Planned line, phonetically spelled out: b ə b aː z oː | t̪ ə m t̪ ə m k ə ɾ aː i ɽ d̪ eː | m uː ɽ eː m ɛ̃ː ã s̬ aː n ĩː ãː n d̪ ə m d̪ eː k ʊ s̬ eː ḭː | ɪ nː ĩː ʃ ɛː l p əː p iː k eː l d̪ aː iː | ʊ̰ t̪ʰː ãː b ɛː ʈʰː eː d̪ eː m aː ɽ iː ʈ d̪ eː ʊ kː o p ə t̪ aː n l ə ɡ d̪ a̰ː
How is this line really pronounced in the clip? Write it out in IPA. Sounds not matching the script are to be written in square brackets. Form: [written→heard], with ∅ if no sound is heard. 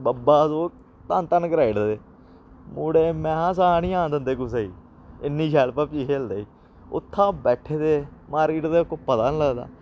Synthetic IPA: b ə b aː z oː | t̪ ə [m→n] t̪ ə [m→n] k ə ɾ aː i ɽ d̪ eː | m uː ɽ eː m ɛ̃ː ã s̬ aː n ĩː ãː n d̪ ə [m→n] d̪ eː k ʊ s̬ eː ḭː | ɪ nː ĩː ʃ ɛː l p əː p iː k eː l d̪ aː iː | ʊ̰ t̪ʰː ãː b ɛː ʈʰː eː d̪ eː m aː [ɽ→ɾ] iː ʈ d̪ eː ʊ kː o p ə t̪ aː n l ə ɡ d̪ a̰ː